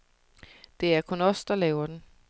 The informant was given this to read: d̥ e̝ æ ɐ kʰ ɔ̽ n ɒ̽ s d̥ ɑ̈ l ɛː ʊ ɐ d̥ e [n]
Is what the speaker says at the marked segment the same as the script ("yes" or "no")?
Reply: yes